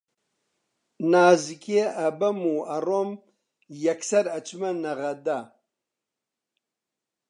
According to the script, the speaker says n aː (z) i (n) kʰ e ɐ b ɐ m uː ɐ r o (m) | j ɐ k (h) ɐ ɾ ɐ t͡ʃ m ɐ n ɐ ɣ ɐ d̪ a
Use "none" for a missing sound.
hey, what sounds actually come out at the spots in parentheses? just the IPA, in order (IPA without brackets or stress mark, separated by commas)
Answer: z, none, m, s